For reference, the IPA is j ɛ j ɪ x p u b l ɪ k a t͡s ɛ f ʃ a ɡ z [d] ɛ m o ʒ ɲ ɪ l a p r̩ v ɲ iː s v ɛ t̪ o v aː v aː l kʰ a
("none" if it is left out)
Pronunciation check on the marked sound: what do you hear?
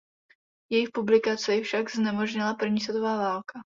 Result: n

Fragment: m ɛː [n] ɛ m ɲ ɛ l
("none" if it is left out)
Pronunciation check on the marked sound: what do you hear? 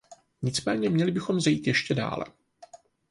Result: ɲ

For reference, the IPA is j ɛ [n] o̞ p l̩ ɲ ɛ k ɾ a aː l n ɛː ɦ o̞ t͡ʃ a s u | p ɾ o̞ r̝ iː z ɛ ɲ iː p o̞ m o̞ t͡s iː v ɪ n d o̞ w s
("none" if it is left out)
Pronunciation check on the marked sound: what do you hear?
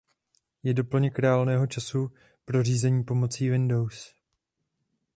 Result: d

